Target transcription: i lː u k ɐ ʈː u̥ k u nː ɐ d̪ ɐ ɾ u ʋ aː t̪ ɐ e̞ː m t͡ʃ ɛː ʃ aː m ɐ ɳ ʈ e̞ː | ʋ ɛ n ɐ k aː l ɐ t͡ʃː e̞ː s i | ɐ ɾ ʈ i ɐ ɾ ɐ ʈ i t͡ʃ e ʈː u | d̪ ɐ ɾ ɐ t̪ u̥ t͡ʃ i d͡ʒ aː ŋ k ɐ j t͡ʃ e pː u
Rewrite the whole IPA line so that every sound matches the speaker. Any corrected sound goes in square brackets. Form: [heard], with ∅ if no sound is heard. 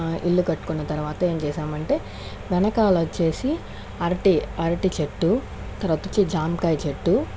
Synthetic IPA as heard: i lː u k ɐ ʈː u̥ k u nː ɐ [t̪] ɐ ɾ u ʋ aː t̪ ɐ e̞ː m t͡ʃ ɛː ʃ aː m ɐ ɳ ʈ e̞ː | ʋ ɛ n ɐ k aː l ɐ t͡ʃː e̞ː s i | ɐ ɾ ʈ i ɐ ɾ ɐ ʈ i t͡ʃ e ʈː u | [t̪] ɐ ɾ ɐ t̪ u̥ t͡ʃ i d͡ʒ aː [m] k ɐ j t͡ʃ e [ʈː] u